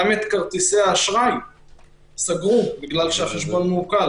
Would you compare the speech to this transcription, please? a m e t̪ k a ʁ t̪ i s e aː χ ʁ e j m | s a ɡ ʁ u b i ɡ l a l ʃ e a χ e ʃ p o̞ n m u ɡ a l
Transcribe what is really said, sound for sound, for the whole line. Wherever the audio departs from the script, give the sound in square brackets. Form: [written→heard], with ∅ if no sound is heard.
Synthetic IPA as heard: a m e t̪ k a ʁ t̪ i s e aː [χ→ʃ] ʁ [e→a] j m | s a ɡ ʁ u b i ɡ l a l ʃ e a χ e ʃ [p→b] o̞ n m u [ɡ→k] a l